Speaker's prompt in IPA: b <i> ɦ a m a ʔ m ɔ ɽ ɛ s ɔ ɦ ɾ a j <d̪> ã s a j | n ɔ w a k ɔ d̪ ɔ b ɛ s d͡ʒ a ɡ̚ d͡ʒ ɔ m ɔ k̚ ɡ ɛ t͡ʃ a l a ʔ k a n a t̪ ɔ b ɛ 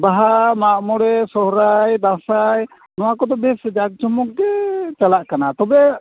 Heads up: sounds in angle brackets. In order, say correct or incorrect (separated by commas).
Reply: incorrect, correct